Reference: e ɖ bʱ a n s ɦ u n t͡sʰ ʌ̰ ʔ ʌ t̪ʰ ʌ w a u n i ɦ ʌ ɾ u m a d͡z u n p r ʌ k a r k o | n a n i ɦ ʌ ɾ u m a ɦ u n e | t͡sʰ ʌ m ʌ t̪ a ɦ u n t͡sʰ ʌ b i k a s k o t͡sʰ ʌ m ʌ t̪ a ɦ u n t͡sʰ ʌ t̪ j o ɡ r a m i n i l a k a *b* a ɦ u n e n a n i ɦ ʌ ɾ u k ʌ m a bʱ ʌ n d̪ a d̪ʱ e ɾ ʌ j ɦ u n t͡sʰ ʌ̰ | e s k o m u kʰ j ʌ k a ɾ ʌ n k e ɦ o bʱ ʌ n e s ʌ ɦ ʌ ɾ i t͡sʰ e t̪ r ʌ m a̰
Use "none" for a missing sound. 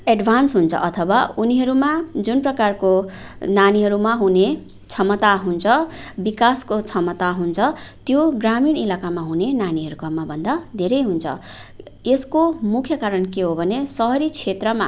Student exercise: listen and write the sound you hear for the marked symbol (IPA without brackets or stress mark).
m